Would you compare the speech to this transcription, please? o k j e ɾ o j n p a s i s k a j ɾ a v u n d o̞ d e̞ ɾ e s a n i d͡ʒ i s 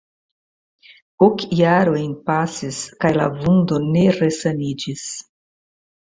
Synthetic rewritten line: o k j a ɾ o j n p a s i s k a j l a v u n d o̞ n e̞ ɾ e s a n i d͡ʒ i s